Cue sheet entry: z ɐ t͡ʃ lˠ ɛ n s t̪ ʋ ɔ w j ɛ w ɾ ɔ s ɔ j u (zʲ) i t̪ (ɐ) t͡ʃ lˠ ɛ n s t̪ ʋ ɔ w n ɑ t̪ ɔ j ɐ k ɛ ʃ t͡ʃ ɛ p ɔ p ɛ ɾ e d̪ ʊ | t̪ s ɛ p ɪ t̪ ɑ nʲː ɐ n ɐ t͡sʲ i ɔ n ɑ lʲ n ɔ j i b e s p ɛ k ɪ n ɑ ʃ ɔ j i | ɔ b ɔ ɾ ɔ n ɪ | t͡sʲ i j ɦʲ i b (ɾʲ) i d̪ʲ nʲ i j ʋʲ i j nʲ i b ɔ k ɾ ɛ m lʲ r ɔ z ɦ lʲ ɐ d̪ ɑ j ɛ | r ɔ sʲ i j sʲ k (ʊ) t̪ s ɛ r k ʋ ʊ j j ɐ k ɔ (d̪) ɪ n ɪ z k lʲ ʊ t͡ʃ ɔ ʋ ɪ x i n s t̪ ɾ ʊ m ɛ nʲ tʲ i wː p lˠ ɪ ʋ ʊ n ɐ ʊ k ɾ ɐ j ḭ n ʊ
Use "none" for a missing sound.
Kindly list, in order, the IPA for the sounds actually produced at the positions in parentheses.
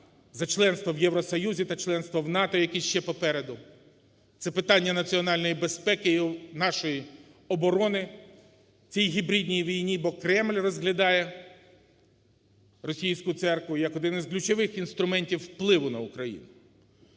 zʲ, ɐ, ɾʲ, ʊ, d̪

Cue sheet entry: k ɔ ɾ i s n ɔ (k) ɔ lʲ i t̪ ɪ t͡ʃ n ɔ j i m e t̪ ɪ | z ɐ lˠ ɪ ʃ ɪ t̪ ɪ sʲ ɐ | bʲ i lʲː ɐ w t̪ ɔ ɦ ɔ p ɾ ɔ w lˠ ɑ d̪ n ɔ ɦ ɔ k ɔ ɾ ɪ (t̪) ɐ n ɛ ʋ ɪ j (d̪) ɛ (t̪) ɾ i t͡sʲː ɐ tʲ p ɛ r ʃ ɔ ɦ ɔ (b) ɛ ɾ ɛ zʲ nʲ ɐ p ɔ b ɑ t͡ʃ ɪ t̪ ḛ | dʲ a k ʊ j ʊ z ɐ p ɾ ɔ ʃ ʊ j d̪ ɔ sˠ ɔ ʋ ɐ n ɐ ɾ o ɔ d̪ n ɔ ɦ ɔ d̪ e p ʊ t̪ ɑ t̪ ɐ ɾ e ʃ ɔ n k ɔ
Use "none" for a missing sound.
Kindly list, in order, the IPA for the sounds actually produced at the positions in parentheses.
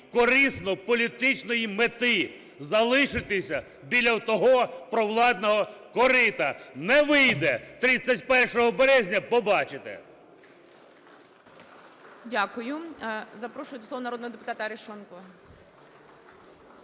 p, t̪, d̪, t̪, b

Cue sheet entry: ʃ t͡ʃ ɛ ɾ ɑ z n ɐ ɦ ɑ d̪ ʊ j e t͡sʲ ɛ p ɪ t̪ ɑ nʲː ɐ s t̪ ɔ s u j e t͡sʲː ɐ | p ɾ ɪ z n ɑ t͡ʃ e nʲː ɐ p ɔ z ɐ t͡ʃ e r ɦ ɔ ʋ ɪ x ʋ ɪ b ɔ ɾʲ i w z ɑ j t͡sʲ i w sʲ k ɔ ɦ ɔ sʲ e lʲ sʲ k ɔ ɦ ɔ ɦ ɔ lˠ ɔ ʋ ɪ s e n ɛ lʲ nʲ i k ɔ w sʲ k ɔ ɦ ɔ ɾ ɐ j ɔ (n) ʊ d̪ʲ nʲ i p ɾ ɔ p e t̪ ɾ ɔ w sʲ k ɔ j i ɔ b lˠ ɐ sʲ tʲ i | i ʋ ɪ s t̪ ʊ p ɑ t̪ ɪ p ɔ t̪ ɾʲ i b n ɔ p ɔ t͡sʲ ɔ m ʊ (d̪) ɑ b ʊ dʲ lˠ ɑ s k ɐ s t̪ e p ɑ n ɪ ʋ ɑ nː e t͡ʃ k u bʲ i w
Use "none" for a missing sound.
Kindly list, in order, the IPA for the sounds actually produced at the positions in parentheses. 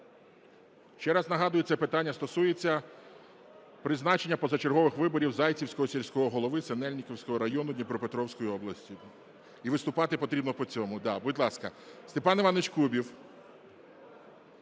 n, d̪

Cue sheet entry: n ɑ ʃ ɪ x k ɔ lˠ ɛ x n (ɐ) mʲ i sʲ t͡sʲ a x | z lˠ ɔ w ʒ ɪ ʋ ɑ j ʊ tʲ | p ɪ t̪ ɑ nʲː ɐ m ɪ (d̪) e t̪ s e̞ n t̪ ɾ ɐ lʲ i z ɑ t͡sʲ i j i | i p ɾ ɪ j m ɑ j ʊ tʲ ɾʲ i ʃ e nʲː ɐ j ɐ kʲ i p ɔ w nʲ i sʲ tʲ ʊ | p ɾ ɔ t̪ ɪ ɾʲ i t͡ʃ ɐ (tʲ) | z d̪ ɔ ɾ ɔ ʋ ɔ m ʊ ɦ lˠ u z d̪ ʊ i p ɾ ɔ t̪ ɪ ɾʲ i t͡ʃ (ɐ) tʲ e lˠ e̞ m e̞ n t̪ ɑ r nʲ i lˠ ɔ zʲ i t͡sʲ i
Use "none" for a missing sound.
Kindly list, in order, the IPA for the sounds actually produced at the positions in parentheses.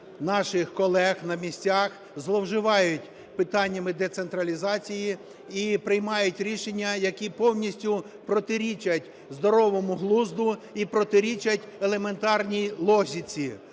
ɐ, d̪, tʲ, ɐ

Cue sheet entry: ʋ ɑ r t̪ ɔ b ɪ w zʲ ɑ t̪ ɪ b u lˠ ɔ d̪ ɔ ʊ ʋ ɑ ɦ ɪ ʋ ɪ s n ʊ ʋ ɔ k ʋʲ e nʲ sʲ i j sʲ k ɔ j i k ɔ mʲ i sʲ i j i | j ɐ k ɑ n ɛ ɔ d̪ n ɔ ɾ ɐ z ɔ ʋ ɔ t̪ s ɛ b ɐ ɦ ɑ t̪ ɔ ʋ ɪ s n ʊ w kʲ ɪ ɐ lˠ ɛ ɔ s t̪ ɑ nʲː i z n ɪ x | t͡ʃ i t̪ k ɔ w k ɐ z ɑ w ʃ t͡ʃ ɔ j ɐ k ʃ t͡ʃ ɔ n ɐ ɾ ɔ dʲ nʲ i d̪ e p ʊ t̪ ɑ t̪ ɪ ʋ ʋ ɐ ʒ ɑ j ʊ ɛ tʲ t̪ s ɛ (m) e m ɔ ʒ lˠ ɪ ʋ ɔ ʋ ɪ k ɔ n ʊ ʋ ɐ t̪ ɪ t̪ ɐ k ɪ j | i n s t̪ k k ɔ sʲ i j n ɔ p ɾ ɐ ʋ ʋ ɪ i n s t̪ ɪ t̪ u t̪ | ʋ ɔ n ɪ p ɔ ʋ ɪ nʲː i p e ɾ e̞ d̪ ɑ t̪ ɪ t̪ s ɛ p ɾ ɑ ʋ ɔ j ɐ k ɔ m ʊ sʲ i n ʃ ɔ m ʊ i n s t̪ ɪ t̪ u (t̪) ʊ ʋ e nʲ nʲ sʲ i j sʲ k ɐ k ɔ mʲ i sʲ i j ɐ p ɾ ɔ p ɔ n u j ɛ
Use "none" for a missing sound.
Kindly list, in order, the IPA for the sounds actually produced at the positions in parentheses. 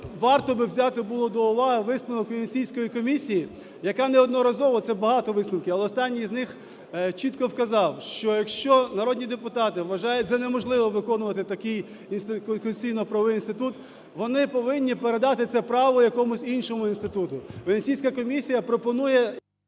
n, t̪

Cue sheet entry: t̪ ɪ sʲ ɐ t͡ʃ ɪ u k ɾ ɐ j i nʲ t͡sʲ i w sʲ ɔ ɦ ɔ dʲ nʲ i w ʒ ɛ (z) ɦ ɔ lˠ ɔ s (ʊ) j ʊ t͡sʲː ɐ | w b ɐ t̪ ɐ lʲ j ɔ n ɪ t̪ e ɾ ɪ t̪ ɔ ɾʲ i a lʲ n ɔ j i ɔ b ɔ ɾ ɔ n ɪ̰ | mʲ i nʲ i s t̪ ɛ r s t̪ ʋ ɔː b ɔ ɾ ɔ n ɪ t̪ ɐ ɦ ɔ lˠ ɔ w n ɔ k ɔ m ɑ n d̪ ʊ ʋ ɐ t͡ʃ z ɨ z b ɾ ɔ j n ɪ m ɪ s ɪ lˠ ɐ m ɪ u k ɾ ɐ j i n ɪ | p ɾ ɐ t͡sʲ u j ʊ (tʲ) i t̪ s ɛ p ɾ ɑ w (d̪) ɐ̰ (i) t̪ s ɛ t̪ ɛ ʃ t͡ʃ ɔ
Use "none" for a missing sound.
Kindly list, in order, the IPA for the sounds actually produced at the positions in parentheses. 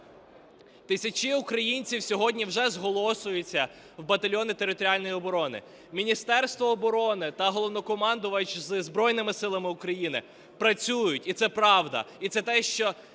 z, ʊ, tʲ, d̪, i

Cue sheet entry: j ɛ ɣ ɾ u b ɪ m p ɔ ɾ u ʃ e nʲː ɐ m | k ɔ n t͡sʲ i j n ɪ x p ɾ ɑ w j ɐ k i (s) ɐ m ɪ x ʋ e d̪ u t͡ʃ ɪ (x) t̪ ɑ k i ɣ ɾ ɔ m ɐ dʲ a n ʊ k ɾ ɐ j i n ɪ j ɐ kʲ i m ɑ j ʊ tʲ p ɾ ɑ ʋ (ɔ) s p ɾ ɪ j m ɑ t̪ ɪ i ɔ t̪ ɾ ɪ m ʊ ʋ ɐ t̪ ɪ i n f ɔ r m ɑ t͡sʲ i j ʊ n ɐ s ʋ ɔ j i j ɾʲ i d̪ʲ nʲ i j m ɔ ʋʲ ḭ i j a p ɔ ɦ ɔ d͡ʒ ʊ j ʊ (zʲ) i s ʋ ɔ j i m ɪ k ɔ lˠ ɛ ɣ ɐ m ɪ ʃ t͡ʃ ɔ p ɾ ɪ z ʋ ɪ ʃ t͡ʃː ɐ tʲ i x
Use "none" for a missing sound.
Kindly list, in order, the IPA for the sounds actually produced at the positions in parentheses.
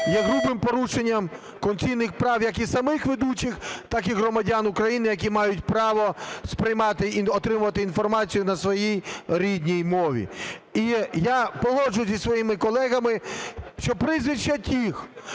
s, x, ɔ, zʲ

